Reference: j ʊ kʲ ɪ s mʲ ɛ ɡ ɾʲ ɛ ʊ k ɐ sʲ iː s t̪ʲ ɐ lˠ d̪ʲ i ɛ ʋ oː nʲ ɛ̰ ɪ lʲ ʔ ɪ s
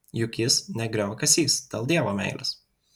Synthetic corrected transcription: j ʊ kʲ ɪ s nʲ ɛ ɡ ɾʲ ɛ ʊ k ɐ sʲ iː s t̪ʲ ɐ lˠ d̪ʲ i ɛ ʋ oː mʲ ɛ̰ ɪ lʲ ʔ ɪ s